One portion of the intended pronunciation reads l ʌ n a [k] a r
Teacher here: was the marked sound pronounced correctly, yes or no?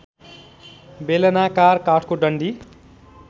yes